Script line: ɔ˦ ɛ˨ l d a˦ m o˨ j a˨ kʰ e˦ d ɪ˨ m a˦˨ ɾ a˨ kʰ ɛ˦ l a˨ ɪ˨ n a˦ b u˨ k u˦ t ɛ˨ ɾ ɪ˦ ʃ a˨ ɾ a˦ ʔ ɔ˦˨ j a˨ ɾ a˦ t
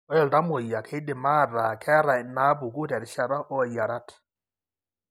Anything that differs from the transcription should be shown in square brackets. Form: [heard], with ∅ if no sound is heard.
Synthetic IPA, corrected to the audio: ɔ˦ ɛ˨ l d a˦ m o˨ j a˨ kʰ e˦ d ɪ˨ m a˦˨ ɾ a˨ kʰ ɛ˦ [ɾ] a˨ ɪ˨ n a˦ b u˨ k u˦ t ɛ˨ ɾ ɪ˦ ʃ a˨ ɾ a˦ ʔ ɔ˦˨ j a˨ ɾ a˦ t